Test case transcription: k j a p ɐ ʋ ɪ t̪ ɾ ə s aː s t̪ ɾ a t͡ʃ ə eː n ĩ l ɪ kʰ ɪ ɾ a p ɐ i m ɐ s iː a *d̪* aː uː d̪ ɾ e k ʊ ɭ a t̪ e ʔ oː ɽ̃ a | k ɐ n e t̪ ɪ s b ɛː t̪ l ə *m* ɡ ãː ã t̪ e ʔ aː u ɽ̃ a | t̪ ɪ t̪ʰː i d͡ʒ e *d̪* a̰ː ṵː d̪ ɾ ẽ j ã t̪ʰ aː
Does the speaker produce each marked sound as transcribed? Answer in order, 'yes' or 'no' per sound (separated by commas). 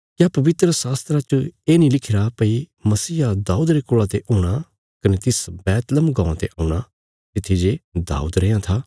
yes, yes, yes